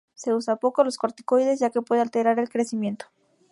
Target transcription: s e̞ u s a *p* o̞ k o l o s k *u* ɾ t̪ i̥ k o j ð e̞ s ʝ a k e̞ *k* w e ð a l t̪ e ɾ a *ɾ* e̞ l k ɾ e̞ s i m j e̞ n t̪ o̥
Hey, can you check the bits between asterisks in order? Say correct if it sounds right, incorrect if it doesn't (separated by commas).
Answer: correct, incorrect, incorrect, correct